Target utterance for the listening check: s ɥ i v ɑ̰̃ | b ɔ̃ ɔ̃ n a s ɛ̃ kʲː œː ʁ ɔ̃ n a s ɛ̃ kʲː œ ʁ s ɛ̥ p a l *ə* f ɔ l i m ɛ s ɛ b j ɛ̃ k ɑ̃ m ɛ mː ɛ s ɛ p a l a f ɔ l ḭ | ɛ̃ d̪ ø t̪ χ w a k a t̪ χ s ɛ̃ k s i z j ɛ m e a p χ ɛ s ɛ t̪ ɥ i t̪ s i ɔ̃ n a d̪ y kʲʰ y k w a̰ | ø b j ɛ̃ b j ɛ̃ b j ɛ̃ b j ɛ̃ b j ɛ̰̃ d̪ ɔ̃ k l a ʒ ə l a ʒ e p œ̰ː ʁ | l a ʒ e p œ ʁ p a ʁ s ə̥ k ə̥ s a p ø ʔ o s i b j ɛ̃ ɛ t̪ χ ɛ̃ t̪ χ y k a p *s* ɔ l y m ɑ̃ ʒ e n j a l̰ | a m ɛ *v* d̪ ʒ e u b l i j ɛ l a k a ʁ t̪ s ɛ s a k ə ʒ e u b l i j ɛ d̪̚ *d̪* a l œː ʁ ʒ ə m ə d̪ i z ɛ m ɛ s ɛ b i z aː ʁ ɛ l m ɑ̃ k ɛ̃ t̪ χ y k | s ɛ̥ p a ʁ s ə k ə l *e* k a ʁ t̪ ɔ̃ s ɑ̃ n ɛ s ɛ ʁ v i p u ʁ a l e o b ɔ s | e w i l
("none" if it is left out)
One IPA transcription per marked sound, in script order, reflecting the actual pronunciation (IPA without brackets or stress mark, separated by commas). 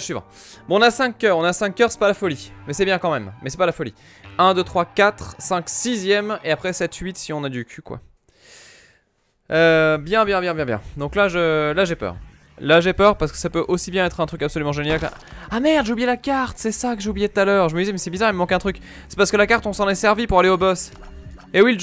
a, s, ʁ, t̪, a